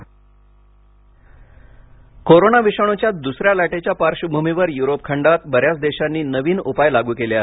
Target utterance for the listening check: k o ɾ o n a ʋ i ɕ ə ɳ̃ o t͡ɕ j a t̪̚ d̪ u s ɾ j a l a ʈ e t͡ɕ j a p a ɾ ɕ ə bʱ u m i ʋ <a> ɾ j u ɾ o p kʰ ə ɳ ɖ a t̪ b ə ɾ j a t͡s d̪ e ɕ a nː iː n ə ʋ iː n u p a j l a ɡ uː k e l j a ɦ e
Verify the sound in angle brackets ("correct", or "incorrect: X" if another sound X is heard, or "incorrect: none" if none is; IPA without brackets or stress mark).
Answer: incorrect: ə